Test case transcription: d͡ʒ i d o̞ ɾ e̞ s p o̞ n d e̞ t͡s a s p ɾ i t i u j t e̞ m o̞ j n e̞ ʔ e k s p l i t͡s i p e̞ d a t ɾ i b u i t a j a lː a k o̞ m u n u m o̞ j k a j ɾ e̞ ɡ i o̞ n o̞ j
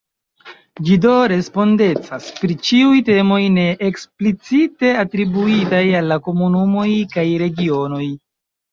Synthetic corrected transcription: d͡ʒ i d o̞ ɾ e̞ s p o̞ n d e̞ t͡s a s p ɾ i t͡ʃ i u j t e̞ m o̞ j n e̞ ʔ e k s p l i t͡s i t e̞ a t ɾ i b u i t a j a lː a k o̞ m u n u m o̞ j k a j ɾ e̞ ɡ i o̞ n o̞ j

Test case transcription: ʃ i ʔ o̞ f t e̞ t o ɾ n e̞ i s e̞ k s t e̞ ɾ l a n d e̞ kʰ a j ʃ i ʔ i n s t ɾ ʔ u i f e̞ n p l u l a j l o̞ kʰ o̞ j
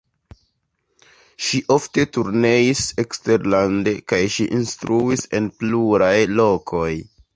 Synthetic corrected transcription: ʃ i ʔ o̞ f t e̞ t u ɾ n e̞ i s e̞ k s t e̞ ɾ l a n d e̞ k a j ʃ i ʔ i n s t ɾ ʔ u i s e̞ n p l u ɾ a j l o̞ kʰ o̞ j

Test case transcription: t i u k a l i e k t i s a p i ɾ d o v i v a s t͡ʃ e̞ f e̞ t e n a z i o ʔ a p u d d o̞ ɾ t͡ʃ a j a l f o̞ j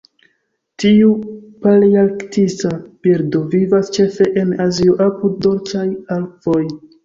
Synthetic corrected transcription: t i u p a l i a k t i s a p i ɾ d o v i v a s t͡ʃ e̞ f e̞ ʔ e n a z i o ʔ a p u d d o̞ ɾ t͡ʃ a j a l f o̞ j

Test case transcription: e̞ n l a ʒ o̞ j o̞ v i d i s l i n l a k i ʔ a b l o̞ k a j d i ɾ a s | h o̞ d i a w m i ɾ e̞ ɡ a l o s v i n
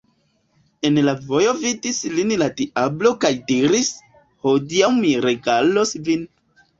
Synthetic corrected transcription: e̞ n l a v o̞ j o̞ v i d i s l i n l a t i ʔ a b l o̞ k a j d i ɾ i s | h o̞ d i a w m i ɾ e̞ ɡ a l o s v i n

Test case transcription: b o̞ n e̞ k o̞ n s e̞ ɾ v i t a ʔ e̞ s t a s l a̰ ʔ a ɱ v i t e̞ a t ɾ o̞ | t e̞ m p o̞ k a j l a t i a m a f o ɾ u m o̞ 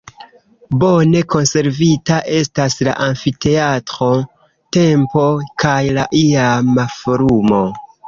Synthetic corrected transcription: b o̞ n e̞ k o̞ n s e̞ ɾ v i t a ʔ e̞ s t a s l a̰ ʔ a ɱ f i t e̞ a t ɾ o̞ | t e̞ m p o̞ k a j l a ʔ i a m a f o ɾ u m o̞

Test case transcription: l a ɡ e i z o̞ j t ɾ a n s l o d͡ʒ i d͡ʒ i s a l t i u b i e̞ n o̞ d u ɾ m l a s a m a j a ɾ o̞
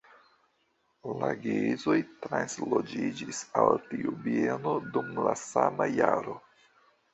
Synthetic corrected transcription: l a ɡ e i z o̞ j t ɾ a n s l o d͡ʒ i d͡ʒ i s a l t i u b i e̞ n o̞ d u m l a s a m a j a ɾ o̞

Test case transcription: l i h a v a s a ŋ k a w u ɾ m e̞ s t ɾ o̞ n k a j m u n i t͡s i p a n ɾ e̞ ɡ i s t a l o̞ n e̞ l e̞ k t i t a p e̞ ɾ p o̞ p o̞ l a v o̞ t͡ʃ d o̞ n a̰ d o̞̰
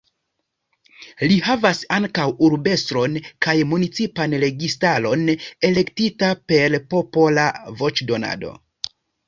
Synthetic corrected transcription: l i h a v a s a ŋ k a w u ɾ b e̞ s t ɾ o̞ n k a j m u n i t͡s i p a n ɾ e̞ ɡ i s t a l o̞ n e̞ l e̞ k t i t a p e̞ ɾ p o̞ p o̞ l a v o̞ t͡ʃ d o̞ n a̰ d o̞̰

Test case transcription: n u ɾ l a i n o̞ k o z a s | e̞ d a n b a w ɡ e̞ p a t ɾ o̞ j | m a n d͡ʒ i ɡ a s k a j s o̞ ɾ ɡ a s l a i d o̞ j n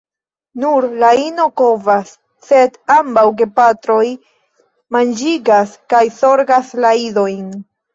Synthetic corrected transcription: n u ɾ l a i n o̞ k o v a sː | e̞ d a m b a w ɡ e̞ p a t ɾ o̞ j | m a n d͡ʒ i ɡ a s k a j s o̞ ɾ ɡ a s l a i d o̞ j n

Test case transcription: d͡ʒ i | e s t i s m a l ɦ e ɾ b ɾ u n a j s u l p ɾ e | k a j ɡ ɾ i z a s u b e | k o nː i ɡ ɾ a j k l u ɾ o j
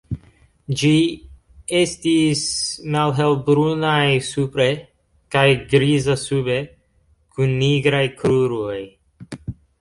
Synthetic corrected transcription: d͡ʒ i | e s t i s m a l ɦ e l b ɾ u n a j s u p ɾ e | k a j ɡ ɾ i z a s u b e | k u nː i ɡ ɾ a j k ɾ u ɾ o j

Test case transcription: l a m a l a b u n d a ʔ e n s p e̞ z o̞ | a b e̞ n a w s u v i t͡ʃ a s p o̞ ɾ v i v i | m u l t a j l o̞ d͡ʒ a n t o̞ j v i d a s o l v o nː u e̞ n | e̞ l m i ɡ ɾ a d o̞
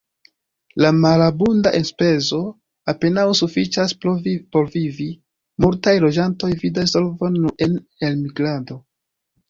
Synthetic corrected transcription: l a m a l a b u n d a ʔ e n s p e̞ z o̞ | a p e̞ n a w s u f i t͡ʃ a s p o̞ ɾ v i v i | m u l t a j l o̞ d͡ʒ a n t o̞ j v i d a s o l v o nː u e̞ n | e̞ l m i ɡ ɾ a d o̞

